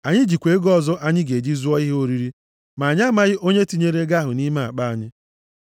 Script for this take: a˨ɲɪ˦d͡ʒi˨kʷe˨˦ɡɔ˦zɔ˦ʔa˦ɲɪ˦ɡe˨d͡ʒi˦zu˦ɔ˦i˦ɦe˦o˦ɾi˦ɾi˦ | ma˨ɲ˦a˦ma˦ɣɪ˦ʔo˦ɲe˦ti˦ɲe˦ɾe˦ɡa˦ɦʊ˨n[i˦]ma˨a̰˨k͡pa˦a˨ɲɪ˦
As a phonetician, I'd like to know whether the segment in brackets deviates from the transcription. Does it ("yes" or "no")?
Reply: no